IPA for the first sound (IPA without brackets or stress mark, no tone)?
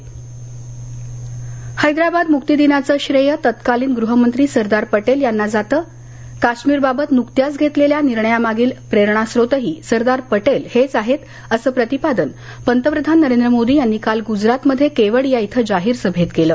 h